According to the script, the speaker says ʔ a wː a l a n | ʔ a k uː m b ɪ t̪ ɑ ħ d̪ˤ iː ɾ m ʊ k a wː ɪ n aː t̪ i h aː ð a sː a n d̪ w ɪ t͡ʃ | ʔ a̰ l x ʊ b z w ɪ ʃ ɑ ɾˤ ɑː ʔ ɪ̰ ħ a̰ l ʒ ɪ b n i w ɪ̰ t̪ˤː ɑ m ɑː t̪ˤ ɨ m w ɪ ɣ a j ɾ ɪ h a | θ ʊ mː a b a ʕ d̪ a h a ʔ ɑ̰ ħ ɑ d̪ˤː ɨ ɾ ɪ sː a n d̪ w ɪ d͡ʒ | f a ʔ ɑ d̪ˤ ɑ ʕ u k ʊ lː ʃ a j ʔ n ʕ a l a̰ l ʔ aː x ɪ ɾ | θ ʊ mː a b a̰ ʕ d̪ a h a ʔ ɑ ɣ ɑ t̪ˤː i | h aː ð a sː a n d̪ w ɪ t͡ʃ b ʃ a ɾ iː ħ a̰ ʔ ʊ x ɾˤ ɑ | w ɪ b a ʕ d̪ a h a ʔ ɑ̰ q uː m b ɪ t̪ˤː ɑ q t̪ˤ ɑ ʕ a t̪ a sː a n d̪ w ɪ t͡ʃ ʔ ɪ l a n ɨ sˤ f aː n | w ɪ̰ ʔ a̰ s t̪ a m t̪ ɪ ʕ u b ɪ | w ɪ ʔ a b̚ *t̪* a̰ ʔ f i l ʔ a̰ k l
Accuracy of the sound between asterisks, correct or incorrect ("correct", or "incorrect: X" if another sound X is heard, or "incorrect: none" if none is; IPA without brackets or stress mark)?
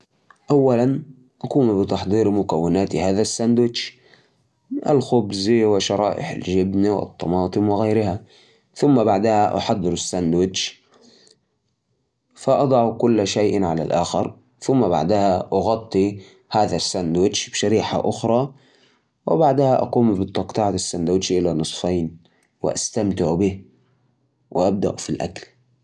incorrect: d̪